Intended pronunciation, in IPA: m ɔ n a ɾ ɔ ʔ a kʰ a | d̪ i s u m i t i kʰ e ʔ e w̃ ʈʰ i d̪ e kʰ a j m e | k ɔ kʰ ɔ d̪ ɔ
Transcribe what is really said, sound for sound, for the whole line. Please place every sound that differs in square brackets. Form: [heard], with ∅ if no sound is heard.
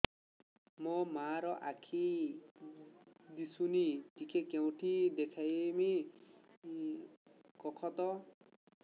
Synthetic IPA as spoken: m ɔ [m] a ɾ ɔ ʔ a kʰ [i] | d̪ i s u [n] i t i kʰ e [k] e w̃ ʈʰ i d̪ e kʰ a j m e | k ɔ kʰ ɔ [t̪] ɔ